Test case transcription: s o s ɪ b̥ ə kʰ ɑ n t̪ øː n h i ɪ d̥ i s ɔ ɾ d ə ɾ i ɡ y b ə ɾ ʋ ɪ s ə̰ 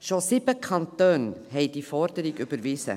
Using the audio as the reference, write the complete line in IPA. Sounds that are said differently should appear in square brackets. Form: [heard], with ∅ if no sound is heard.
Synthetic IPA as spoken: [ʃ] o s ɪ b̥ ə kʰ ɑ n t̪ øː n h [ɛ] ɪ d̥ i [f] ɔ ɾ d ə ɾ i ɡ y b ə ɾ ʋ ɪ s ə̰